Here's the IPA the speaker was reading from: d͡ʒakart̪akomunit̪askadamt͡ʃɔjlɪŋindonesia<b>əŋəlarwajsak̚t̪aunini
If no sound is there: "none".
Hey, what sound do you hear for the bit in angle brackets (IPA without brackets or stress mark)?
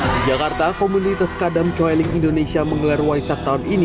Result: m